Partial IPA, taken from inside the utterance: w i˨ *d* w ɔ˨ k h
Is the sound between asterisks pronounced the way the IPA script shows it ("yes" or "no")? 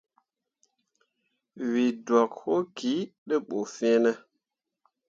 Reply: yes